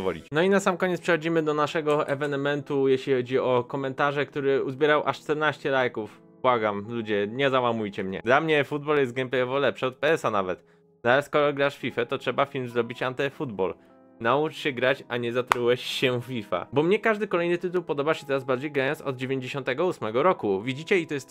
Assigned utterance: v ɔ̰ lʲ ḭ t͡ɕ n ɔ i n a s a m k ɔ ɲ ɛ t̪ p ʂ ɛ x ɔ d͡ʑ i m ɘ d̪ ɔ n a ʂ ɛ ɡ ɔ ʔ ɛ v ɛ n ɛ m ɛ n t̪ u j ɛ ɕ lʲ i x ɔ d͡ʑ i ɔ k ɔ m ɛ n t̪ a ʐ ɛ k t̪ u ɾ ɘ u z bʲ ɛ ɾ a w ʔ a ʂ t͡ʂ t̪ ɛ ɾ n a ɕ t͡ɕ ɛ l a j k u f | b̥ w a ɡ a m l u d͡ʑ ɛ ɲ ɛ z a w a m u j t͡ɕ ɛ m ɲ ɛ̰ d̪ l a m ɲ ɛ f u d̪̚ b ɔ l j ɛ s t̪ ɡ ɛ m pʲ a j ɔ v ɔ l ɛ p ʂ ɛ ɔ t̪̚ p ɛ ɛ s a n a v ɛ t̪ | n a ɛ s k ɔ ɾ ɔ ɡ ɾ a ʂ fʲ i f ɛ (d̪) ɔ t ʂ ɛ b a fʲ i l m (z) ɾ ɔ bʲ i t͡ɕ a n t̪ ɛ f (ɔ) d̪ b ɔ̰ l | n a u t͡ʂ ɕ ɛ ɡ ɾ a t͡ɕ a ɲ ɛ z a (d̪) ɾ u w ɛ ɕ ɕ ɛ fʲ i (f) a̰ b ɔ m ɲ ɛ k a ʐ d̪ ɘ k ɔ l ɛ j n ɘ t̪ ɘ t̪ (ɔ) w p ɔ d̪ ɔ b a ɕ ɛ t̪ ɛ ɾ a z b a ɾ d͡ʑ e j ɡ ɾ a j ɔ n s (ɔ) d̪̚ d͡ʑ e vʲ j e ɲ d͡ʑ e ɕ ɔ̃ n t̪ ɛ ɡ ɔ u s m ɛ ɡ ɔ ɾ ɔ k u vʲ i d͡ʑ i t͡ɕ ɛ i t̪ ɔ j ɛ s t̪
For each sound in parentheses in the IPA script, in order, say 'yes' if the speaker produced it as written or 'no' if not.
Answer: no, yes, no, no, yes, no, yes

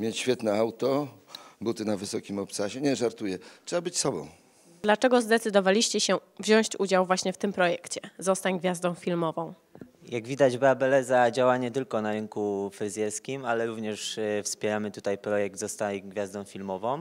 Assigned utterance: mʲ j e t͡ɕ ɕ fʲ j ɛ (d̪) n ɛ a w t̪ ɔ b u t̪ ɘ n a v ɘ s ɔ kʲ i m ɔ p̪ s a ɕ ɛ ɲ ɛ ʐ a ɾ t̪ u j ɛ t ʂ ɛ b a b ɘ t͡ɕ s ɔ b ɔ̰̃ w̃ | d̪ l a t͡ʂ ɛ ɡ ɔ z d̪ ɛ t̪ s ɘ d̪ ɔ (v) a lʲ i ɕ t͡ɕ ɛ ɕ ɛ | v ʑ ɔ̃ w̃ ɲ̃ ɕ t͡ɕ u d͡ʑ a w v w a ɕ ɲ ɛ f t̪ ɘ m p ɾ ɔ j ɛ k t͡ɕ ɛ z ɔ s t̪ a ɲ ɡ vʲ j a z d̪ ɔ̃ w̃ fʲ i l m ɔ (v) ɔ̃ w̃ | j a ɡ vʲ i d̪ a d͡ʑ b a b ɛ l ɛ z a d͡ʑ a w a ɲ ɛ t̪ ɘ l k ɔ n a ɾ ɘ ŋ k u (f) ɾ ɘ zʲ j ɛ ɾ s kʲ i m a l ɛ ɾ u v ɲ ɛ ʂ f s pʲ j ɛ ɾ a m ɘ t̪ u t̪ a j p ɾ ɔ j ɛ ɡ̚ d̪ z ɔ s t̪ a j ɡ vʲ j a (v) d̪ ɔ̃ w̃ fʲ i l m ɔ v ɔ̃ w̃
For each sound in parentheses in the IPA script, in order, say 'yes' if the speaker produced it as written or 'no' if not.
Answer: no, yes, yes, yes, no

